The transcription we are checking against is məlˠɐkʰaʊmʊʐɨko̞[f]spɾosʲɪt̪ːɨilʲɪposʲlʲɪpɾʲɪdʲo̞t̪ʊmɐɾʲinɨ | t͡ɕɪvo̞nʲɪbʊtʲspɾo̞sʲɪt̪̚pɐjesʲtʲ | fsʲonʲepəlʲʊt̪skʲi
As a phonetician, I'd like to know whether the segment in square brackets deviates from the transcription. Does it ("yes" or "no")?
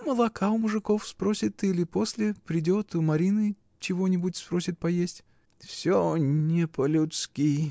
no